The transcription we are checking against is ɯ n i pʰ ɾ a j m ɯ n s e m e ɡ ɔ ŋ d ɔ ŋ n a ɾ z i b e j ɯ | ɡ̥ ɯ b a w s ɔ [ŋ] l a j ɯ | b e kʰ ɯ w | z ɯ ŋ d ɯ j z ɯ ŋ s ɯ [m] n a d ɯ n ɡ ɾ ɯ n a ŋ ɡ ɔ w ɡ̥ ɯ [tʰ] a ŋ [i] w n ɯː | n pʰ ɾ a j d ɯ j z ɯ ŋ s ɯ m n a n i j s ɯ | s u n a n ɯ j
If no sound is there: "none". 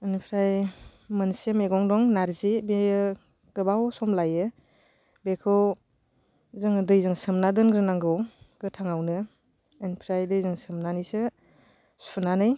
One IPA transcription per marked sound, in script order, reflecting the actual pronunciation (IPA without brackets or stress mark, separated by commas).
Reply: m, m, tʰ, a